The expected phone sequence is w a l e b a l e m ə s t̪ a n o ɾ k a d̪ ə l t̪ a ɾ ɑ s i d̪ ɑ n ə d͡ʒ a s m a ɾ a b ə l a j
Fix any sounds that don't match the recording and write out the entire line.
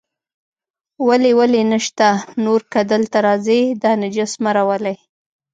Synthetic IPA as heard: w a l e w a l e n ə ʃ t̪ a n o ɾ k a d̪ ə l t̪ a ɾ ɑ z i d̪ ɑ n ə d͡ʒ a s m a ɾ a w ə l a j